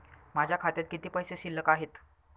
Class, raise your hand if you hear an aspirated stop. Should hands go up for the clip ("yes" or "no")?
yes